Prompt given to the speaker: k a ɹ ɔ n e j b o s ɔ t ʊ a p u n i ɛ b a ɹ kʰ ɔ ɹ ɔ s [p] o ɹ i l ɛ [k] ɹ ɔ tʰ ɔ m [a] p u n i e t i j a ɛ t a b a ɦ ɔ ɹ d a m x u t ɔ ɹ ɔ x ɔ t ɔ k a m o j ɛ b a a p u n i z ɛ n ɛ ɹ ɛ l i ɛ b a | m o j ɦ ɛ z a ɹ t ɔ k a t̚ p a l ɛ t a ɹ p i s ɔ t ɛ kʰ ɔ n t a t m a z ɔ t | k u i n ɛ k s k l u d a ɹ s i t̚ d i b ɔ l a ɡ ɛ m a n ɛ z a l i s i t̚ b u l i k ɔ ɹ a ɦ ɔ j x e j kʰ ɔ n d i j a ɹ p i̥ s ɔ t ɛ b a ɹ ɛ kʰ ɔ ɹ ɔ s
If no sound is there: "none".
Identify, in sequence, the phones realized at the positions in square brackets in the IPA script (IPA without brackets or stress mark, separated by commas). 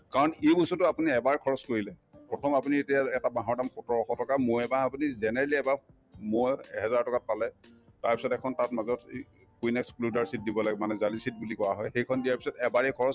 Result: k, p, a